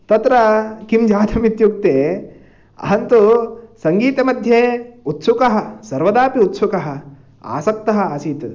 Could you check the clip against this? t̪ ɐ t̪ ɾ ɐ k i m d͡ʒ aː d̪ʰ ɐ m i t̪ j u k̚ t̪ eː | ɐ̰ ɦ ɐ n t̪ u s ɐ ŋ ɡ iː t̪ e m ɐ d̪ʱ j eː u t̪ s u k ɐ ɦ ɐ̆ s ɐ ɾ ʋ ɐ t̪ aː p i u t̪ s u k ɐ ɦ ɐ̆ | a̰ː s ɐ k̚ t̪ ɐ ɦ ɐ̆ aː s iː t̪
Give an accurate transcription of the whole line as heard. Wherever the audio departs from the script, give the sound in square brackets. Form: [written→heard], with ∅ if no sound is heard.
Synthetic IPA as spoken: t̪ ɐ t̪ ɾ ɐ k i m d͡ʒ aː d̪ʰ ɐ m i t̪ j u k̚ t̪ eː | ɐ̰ ɦ ɐ n t̪ u s ɐ ŋ ɡ iː t̪ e m ɐ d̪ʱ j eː u t̪ s u k ɐ ɦ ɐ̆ s ɐ ɾ ʋ ɐ [t̪→d̪] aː p i u t̪ s u k ɐ ɦ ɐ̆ | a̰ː s ɐ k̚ t̪ ɐ ɦ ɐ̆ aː s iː t̪